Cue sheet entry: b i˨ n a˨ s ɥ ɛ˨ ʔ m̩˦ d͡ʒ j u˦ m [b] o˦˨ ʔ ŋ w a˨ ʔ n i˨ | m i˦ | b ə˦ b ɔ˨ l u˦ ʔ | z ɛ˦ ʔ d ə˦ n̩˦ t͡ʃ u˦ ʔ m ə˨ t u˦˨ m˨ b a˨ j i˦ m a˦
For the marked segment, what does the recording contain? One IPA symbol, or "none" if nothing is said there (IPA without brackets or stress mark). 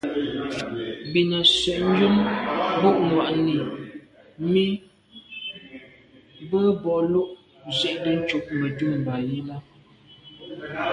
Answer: b